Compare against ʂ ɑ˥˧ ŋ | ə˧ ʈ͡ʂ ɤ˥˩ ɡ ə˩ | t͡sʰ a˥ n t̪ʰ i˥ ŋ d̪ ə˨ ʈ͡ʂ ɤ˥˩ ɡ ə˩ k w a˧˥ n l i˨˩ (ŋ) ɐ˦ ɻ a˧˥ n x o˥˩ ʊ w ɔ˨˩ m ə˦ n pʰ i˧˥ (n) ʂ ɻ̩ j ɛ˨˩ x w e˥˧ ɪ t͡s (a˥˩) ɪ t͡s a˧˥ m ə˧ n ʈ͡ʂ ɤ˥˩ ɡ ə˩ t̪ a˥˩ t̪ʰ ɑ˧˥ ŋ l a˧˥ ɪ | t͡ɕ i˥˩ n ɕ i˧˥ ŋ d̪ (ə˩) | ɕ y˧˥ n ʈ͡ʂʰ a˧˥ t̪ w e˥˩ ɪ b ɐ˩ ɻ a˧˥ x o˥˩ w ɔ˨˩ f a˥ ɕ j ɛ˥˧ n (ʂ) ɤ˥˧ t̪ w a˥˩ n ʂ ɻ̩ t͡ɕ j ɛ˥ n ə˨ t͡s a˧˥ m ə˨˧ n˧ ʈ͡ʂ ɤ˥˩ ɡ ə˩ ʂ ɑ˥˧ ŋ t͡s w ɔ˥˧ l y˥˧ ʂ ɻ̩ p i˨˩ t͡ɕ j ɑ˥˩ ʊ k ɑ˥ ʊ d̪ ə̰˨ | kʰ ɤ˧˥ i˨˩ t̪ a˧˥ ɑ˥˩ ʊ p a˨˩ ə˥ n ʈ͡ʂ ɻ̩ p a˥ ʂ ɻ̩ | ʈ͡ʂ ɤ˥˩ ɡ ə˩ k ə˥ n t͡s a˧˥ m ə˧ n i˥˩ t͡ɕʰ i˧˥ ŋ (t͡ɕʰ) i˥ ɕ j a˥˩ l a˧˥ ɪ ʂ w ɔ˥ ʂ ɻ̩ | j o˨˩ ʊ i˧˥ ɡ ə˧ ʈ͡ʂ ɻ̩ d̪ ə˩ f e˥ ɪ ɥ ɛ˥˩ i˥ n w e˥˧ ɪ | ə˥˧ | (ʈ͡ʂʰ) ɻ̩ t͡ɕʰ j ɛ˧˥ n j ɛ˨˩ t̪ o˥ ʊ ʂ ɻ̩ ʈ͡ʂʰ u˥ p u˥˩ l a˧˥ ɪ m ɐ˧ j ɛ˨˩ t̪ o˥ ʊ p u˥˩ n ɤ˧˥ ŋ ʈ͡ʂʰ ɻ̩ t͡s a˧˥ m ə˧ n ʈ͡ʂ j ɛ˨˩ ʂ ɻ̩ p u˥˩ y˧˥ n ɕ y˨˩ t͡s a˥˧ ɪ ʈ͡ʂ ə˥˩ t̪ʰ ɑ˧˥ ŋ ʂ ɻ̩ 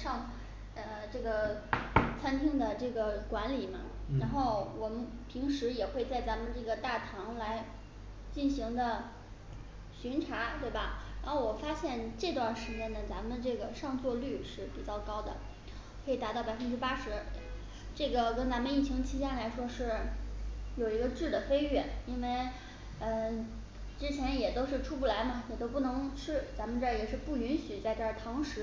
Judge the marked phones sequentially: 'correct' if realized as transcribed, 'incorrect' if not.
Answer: incorrect, incorrect, correct, incorrect, incorrect, correct, incorrect

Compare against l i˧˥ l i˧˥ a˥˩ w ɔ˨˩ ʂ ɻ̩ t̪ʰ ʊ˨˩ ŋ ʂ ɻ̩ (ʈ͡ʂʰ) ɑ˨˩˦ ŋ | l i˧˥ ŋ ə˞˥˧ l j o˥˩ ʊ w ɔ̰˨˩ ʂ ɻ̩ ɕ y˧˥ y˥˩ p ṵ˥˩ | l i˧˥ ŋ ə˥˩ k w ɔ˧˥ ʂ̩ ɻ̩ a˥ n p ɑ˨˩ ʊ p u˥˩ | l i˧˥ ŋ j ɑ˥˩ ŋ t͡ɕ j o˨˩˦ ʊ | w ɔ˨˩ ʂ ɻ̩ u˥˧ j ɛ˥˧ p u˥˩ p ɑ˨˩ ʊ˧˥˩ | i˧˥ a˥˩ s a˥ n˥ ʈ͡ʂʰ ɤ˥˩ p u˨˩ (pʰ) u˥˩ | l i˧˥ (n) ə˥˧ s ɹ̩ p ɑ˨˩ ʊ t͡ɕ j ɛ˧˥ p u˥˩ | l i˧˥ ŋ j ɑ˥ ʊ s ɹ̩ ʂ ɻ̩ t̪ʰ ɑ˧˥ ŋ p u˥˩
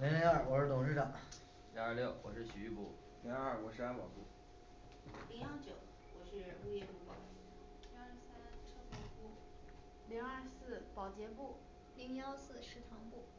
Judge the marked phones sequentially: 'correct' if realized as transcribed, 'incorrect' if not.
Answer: incorrect, incorrect, incorrect

